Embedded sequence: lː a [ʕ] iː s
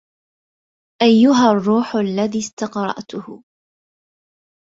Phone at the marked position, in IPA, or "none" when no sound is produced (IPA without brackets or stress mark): ð